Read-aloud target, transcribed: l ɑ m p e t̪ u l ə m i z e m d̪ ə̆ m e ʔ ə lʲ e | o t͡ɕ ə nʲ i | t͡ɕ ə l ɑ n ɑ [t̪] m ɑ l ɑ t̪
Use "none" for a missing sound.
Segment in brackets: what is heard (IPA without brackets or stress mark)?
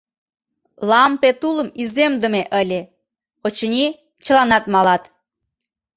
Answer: t̪